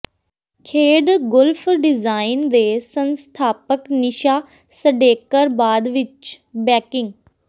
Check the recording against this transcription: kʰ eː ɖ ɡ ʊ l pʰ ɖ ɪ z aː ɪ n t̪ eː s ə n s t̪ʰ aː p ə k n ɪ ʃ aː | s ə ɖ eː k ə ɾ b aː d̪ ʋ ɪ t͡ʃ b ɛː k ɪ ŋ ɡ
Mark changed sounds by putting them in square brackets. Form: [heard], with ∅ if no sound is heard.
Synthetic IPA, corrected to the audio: kʰ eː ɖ ɡ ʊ l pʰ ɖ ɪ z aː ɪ n [d̪] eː s ə n s t̪ʰ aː p ə k n ɪ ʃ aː | s ə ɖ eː k ə ɾ b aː d̪ ʋ ɪ t͡ʃ b ɛː k ɪ ŋ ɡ